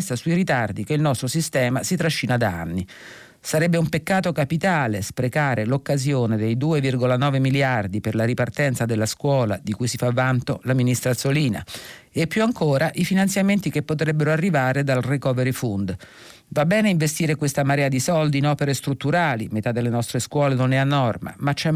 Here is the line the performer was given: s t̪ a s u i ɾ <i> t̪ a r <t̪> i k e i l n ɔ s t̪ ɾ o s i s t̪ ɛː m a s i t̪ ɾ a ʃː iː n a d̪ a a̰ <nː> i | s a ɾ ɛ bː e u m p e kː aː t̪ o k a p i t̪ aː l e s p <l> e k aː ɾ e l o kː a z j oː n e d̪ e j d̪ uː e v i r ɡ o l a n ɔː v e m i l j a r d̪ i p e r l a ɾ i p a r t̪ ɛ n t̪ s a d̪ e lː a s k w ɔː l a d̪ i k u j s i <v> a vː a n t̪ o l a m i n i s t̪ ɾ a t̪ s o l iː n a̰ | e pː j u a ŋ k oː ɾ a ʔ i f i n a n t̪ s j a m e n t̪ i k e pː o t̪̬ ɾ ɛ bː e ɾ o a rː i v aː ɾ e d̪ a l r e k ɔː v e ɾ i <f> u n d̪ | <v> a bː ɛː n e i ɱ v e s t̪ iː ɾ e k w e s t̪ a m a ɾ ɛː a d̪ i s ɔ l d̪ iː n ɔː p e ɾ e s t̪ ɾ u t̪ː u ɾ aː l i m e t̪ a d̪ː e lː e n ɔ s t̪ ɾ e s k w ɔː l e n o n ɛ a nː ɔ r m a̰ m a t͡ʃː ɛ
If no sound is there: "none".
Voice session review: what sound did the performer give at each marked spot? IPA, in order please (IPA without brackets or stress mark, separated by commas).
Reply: i, d̪, nː, ɾ, f, f, v